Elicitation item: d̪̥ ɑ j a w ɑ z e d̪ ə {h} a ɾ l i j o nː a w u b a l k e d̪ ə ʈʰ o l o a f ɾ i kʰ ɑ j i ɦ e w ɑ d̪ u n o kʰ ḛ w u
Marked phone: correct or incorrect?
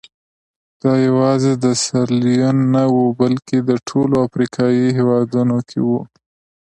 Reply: incorrect